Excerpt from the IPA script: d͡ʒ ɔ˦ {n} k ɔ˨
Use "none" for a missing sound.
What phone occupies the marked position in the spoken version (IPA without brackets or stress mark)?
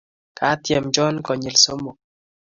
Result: n